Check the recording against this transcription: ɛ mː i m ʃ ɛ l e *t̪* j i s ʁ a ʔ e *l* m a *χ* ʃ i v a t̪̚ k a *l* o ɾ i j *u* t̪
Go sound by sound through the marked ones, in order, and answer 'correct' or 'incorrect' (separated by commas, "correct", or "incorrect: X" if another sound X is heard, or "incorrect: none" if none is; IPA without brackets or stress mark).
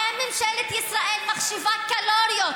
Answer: correct, correct, correct, correct, incorrect: o